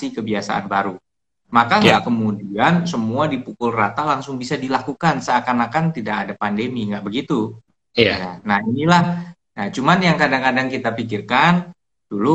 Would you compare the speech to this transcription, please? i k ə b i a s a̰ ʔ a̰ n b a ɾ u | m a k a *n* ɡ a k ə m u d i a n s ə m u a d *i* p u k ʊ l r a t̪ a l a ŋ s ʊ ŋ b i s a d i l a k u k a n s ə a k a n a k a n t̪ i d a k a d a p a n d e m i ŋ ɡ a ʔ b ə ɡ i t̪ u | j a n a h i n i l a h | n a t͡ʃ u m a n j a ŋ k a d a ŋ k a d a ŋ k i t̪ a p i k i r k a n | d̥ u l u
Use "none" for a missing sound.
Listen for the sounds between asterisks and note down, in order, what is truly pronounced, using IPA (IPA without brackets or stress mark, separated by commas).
ŋ, i